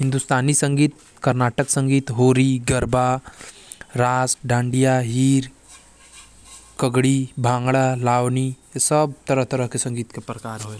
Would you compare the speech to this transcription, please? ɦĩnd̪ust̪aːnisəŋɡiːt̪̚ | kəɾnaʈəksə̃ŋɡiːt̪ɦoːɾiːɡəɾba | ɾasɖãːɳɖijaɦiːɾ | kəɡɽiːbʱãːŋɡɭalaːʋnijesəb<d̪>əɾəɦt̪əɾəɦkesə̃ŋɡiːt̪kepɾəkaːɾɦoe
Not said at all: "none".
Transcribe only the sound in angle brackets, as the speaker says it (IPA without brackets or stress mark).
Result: t̪